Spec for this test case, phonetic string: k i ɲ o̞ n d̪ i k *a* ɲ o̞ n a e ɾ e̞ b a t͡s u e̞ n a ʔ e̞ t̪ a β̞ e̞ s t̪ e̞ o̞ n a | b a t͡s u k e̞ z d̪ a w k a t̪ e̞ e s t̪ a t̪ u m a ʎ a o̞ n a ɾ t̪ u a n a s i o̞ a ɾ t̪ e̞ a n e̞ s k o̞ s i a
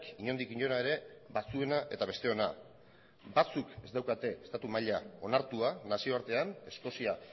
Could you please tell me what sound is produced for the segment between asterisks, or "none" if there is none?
i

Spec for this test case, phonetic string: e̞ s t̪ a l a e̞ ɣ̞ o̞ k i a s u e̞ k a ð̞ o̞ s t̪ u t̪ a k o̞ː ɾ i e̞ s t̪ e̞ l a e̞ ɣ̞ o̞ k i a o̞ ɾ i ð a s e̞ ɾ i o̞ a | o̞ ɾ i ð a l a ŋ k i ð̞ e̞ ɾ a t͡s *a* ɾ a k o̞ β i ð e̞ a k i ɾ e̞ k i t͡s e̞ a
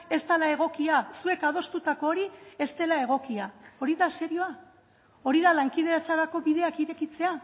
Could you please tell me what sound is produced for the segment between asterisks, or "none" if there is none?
a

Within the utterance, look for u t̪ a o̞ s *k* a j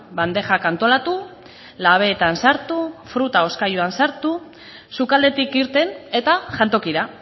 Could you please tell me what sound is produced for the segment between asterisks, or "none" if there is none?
k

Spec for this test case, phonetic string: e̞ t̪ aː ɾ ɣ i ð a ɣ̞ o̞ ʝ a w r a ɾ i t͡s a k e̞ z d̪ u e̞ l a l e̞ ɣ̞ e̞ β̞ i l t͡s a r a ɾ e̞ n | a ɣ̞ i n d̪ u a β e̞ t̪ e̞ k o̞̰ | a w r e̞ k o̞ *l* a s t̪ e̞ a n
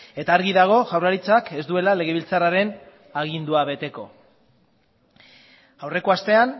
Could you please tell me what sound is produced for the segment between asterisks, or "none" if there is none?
none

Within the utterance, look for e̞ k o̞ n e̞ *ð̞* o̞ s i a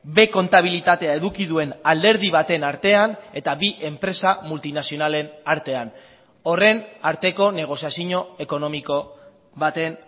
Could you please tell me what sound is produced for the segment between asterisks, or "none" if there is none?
ɣ̞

